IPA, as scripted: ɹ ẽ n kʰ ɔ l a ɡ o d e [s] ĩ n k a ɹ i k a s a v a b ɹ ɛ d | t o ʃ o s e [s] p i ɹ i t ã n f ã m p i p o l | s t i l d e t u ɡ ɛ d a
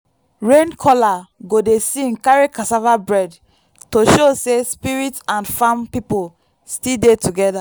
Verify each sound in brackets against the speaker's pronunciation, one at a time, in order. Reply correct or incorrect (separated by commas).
correct, correct